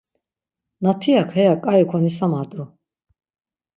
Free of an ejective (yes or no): no